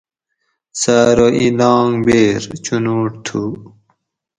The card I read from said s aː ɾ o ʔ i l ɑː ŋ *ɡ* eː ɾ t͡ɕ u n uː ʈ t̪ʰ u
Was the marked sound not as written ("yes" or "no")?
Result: yes